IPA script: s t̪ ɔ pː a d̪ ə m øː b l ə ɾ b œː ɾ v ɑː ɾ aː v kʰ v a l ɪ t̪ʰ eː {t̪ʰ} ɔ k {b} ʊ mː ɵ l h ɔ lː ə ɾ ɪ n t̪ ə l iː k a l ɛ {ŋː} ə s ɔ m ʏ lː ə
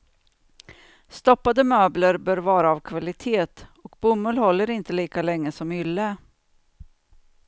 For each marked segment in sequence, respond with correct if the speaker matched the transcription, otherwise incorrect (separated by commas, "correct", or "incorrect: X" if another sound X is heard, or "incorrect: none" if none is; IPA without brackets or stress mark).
incorrect: t̪, correct, correct